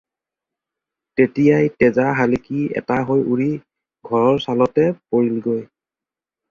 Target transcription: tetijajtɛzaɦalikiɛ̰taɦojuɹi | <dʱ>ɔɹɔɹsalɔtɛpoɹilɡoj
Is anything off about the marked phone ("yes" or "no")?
yes